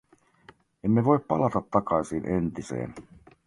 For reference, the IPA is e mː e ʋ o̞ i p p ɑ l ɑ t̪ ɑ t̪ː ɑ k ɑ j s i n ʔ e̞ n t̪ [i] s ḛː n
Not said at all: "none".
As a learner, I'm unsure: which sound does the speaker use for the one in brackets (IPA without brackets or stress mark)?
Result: i